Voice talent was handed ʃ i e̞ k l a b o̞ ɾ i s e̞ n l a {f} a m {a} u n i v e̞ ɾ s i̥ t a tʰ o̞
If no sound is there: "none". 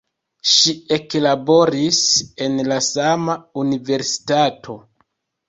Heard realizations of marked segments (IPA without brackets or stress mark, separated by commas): s, a